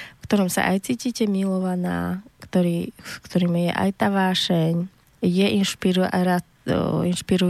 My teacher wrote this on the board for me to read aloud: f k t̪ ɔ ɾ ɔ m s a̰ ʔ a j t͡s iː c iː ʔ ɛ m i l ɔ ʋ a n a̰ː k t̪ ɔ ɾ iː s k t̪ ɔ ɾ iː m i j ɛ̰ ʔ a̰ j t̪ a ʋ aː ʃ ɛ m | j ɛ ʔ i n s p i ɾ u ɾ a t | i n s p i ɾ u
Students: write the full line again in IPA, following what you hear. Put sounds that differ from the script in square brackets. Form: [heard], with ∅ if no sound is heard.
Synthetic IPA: f k t̪ ɔ ɾ ɔ m s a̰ ʔ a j t͡s iː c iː [c] ɛ m i l ɔ ʋ a n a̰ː k t̪ ɔ ɾ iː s k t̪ ɔ ɾ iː m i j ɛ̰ ʔ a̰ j t̪ a ʋ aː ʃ ɛ [ɲ] | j ɛ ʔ i n [ʃ] p i ɾ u ɾ a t | i n [ʃ] p i ɾ u